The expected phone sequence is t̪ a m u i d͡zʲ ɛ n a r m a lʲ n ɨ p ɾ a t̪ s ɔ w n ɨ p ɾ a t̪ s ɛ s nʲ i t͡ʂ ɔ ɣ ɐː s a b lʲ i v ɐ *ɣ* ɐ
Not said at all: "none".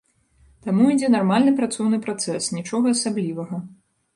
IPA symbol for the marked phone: ɣ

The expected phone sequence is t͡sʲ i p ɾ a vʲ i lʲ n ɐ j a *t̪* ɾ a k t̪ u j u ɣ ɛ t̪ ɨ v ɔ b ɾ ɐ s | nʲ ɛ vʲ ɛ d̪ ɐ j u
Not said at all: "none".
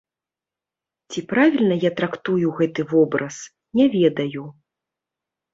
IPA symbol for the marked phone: t̪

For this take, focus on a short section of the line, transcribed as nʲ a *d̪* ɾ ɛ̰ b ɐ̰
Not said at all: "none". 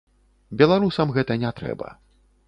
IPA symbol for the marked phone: t̪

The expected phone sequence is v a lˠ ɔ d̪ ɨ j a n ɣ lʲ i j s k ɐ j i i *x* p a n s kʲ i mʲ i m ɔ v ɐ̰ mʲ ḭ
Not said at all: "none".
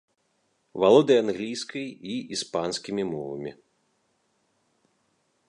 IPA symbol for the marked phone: s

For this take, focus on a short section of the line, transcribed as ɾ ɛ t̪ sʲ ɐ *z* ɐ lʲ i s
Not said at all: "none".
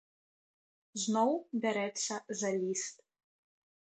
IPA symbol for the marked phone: z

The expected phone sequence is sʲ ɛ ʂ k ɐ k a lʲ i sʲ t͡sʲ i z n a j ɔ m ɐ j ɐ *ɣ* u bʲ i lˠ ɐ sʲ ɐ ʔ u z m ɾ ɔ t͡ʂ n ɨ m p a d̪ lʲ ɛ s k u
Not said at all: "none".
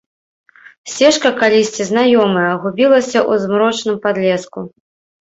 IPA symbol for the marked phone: ɣ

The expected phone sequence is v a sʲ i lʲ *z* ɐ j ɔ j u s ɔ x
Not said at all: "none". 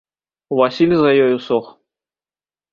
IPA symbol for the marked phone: z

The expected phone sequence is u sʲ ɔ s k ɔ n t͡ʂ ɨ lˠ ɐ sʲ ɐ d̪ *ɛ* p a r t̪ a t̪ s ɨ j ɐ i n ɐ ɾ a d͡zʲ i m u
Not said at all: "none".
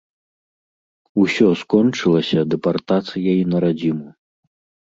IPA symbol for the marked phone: ɛ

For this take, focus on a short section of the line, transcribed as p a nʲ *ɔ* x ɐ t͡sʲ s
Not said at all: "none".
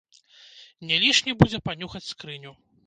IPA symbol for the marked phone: u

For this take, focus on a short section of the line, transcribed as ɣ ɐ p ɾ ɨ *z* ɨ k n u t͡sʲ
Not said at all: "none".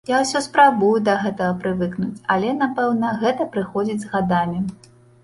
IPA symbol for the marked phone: v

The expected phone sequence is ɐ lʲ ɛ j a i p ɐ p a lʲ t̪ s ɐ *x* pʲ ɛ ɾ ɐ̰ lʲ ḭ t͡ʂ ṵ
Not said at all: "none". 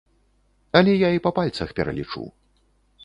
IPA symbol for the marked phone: x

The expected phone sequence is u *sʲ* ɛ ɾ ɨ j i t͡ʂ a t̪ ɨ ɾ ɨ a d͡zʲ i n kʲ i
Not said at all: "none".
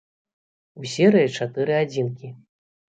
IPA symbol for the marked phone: sʲ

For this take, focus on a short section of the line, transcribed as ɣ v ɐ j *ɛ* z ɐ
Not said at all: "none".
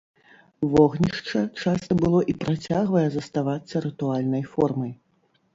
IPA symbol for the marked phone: ɛ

